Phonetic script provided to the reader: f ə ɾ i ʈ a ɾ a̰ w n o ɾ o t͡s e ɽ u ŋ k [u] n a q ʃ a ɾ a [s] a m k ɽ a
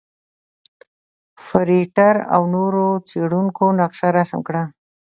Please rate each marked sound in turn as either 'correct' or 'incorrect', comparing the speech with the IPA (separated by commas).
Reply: incorrect, correct